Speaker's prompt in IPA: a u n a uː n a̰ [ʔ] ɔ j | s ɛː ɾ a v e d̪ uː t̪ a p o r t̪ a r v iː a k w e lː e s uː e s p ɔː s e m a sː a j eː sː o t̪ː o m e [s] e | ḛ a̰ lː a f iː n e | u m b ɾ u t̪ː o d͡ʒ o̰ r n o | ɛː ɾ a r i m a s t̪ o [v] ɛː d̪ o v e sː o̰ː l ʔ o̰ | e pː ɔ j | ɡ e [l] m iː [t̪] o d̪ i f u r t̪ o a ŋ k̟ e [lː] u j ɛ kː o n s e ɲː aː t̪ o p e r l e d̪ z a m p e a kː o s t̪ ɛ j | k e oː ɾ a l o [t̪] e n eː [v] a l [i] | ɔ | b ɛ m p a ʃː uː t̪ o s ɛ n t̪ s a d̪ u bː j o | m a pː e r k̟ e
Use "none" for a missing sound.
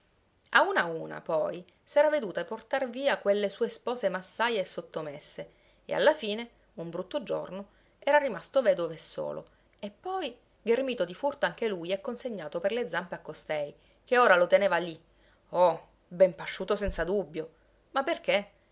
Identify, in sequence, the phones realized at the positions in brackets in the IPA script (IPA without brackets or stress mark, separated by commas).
p, sː, v, r, t̪, l, t̪, v, i